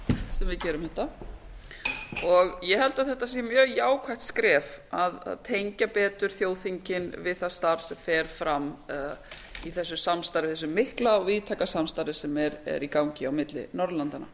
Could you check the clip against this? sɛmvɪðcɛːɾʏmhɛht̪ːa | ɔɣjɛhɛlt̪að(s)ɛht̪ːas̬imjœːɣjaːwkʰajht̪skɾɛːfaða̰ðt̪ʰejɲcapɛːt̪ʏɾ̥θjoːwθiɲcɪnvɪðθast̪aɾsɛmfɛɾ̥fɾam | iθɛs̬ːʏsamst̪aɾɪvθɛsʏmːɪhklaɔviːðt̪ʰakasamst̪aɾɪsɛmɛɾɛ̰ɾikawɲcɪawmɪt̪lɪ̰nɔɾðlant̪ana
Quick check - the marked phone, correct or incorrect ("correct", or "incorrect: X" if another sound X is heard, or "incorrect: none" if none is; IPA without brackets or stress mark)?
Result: incorrect: θ